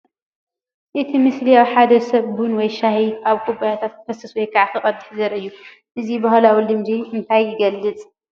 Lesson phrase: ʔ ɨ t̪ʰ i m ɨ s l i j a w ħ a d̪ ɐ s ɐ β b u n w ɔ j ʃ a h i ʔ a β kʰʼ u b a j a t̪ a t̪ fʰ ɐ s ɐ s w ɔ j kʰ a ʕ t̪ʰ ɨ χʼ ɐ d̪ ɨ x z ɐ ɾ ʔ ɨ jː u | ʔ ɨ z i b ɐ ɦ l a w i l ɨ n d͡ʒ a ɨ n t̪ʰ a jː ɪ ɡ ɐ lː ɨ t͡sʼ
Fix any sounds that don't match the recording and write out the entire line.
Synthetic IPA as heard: ʔ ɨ t̪ʰ i m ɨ s l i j a w ħ a d̪ ɐ s ɐ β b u n w ɔ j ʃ a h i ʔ a β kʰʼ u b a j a t̪ʰ a t̪ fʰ ɐ s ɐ s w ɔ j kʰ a ʕ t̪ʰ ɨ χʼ ɐ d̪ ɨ ħ z ɐ ɾ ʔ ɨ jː u | ʔ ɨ z i b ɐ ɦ l a w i l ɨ m d͡ʒ i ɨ n t̪ʰ a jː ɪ ɡ ɐ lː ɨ t͡sʼ

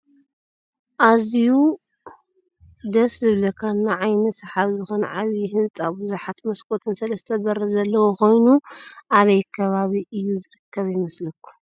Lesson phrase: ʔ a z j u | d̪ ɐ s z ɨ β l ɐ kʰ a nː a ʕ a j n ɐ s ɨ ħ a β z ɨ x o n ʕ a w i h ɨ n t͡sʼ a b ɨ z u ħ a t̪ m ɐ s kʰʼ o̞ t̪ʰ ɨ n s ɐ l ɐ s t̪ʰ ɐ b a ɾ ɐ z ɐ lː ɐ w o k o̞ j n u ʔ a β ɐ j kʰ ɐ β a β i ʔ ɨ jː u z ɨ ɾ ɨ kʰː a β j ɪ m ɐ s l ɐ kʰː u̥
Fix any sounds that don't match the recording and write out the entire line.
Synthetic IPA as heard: ʔ a z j u | d̪ ɐ s z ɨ β l ɐ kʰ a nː a ʕ a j n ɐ s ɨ ħ a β z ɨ x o n ʕ a β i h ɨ n t͡sʼ a b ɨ z u ħ a t̪ m ɐ s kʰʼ o̞ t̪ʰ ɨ n s ɐ l ɐ s t̪ʰ ɐ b ɐ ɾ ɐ z ɐ lː ɐ w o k o̞ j n u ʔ a β ɐ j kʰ ɐ β a β i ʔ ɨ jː u z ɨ ɾ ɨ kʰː ɐ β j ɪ m ɐ s l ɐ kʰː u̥

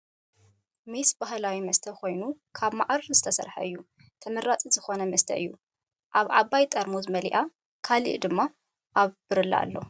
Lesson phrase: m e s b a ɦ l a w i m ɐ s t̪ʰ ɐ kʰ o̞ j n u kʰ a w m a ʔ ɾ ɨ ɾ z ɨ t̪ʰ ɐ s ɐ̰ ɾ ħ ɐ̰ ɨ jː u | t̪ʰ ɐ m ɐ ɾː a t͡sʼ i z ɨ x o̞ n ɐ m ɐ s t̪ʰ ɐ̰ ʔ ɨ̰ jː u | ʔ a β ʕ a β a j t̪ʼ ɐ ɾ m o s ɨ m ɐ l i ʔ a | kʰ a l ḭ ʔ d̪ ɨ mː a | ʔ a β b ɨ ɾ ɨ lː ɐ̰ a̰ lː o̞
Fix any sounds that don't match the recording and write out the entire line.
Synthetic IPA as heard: m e s b a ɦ l a w i m ɐ s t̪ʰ ɐ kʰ o̞ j n u kʰ a β m a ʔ ɾ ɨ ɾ z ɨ t̪ʰ ɐ s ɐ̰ ɾ ħ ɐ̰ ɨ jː u | t̪ʰ ɐ m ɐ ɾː a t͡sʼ i z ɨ x o̞ n ɐ m ɐ s t̪ʰ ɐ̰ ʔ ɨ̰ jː u | ʔ a β ʕ a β a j t̪ʼ ɐ ɾ m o z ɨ m ɐ l i ʔ a | kʰ a l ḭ ʔ d̪ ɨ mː a | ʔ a β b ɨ ɾ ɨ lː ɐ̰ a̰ lː o̞

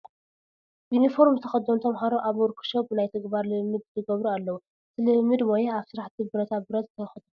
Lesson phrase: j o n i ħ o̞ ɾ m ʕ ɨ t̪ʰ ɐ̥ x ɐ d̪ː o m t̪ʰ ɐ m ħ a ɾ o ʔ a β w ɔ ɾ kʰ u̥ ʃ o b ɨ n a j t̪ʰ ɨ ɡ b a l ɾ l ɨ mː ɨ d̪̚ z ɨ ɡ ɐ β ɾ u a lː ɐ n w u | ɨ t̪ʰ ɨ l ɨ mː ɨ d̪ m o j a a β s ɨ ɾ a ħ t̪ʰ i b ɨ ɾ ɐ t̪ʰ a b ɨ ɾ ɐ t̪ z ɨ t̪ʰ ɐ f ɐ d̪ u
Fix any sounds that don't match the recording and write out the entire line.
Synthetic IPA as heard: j u n i f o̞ ɾ m z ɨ t̪ʰ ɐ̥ x ɐ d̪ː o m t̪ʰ ɐ m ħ a ɾ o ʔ a β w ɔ ɾ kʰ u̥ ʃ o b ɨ n a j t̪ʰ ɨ ɡ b a ɾ l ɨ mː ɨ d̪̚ z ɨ ɡ ɐ β ɾ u a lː ɐ w u | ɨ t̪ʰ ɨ l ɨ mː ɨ d̪ m o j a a β s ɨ ɾ a ħ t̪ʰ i b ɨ ɾ ɐ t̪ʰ a b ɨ ɾ ɐ t̪ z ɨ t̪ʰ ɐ x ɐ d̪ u

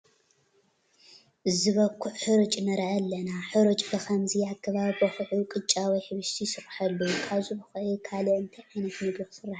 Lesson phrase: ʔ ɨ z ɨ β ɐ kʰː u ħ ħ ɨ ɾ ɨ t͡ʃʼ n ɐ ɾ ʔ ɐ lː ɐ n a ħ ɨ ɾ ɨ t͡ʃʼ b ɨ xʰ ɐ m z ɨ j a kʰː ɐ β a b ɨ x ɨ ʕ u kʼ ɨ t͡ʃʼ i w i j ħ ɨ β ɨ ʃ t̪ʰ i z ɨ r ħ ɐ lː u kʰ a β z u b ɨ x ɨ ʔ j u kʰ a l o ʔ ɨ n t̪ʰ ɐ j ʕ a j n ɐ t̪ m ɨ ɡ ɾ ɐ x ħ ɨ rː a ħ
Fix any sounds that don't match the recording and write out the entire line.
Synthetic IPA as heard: ʔ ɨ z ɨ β ɐ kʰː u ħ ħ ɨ ɾ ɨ t͡ʃʼ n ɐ ɾ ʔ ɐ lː ɐ n a ħ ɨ ɾ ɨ t͡ʃʼ b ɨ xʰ ɐ m z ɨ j a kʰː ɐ β a b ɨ x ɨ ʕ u kʼ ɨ t͡ʃʼ a w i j ħ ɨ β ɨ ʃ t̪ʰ i s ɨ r ħ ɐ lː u kʰ a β z u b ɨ x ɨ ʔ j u kʰ a l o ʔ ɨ n t̪ʰ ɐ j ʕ a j n ɐ t̪ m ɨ ɡ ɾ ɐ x s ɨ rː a ħ

